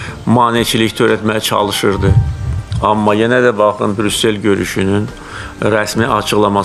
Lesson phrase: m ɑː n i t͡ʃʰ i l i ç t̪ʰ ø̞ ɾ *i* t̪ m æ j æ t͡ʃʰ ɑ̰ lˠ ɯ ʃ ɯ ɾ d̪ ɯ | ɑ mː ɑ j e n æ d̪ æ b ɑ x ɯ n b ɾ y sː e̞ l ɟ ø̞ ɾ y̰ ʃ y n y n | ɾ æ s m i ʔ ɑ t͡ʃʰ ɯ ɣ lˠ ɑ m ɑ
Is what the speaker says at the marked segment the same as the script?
no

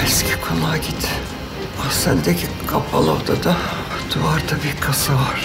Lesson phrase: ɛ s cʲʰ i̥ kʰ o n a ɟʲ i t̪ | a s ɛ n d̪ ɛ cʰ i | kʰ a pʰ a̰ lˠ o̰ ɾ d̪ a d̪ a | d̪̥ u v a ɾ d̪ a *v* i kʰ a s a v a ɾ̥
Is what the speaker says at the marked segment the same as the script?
no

